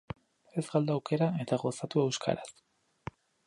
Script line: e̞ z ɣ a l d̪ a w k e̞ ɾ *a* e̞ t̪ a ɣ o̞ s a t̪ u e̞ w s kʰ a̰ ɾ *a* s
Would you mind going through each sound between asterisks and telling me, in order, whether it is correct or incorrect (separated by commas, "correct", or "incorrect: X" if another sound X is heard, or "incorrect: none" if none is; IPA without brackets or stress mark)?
correct, correct